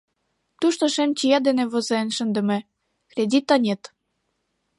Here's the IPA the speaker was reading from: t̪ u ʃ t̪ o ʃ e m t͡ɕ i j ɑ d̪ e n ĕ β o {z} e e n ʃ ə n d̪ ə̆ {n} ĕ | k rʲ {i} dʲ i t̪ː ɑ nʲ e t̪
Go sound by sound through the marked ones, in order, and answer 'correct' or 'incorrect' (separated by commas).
correct, incorrect, incorrect